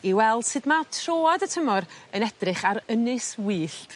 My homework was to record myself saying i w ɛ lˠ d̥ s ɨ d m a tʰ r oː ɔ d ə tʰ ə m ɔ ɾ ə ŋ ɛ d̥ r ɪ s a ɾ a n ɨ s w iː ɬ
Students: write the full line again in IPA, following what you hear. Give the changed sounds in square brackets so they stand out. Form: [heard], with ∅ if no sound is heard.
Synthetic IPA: i w ɛ lˠ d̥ s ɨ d m a tʰ r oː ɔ d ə tʰ ə m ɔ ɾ ə [n] ɛ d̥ r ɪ [χ] a ɾ [ə] n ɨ s w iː ɬ